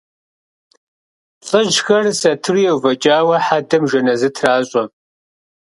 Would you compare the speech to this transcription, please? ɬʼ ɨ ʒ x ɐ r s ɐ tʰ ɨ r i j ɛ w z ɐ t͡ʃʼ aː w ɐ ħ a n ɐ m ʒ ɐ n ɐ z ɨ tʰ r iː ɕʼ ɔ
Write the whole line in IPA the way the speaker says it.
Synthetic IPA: ɬʼ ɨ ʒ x ɐ r s ɐ tʰ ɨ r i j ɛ w v ɐ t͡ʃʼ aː w ɐ ħ a d ɐ m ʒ ɐ n ɐ z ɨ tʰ r aː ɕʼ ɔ